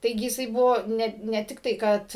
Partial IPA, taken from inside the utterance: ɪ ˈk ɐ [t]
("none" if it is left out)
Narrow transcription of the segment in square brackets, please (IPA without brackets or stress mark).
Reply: t